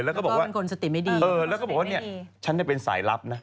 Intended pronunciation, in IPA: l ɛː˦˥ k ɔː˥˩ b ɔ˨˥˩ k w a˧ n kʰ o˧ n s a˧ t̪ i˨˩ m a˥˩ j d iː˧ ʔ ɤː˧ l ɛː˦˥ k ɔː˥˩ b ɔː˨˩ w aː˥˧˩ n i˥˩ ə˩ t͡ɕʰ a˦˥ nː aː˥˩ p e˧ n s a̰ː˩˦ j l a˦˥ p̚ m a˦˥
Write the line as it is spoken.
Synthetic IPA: l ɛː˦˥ k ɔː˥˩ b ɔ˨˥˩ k w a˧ n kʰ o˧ n s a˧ t̪ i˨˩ m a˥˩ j d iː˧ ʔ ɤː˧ l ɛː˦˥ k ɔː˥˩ b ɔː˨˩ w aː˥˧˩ n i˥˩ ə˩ t͡ɕʰ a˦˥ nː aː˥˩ p e˧ n s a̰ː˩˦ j l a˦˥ p̚ n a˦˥